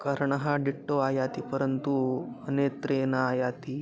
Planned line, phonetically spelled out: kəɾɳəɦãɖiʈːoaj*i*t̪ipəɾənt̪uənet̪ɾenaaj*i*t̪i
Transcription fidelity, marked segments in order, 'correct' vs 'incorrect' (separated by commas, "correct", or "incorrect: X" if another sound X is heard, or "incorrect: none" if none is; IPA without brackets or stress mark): incorrect: a, incorrect: a